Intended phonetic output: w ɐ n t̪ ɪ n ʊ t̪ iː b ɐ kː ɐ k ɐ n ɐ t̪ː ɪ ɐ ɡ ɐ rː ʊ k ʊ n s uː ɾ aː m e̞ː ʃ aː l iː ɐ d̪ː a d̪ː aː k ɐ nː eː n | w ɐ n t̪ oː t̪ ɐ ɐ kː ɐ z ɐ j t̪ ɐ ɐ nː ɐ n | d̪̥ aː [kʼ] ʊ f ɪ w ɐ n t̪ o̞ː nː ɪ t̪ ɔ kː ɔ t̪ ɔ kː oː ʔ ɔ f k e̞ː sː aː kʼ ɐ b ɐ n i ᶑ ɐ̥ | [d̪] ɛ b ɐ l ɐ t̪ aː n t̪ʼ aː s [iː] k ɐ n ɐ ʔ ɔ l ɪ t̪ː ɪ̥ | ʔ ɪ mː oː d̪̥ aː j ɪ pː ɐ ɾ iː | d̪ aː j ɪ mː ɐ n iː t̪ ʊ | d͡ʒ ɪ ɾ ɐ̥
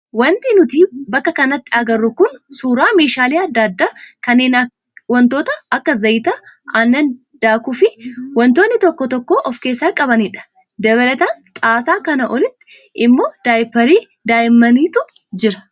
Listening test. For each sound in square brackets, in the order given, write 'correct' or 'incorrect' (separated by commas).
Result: incorrect, correct, incorrect